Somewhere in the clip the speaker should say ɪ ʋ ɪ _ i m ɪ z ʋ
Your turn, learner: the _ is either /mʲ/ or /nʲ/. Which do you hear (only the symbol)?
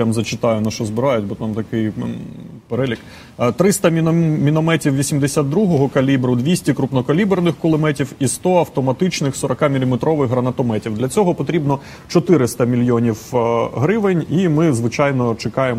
nʲ